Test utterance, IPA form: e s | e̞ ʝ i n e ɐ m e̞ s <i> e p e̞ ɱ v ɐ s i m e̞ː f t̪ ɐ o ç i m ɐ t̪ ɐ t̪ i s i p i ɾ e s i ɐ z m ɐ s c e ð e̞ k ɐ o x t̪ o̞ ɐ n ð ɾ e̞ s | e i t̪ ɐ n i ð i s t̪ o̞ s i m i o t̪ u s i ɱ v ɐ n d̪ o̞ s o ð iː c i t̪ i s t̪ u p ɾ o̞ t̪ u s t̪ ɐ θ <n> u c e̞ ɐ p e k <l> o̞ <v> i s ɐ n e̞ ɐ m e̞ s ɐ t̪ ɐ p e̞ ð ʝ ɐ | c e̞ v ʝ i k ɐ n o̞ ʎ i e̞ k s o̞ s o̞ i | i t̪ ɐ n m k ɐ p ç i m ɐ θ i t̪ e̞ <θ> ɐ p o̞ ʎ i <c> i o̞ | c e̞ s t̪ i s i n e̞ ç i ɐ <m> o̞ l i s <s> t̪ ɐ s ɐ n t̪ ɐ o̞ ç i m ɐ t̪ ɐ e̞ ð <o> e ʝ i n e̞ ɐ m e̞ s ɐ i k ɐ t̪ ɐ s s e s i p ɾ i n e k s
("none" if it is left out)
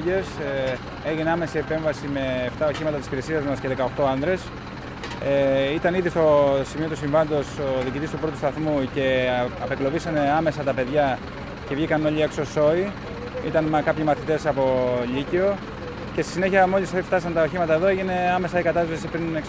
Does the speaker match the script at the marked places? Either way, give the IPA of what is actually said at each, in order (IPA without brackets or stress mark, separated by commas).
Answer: i, m, l, v, s, c, m, f, o